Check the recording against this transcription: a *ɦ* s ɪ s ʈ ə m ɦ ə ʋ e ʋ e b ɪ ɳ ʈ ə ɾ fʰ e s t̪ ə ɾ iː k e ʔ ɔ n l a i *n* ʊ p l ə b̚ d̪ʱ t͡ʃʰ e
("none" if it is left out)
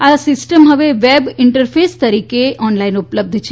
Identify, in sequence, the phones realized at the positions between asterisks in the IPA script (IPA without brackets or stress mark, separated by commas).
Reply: none, n